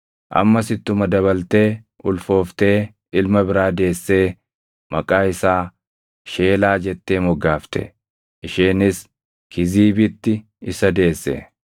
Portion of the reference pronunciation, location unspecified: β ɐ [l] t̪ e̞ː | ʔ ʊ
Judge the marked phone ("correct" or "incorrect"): correct